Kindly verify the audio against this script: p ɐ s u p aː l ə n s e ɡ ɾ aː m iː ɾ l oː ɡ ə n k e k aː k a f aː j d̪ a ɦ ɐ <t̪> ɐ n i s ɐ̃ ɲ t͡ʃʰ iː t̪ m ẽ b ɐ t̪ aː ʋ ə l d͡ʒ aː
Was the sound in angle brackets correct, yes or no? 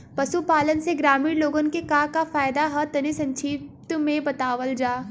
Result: yes